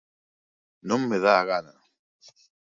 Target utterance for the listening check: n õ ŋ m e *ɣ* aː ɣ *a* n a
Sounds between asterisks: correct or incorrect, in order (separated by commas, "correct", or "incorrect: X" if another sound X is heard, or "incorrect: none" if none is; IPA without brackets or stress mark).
incorrect: ð, correct